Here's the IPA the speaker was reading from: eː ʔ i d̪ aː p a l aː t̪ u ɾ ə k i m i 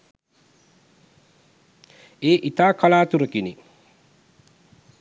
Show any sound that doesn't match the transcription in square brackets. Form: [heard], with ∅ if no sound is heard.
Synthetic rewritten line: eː ʔ i [t̪] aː [k] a l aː t̪ u ɾ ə k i [n] i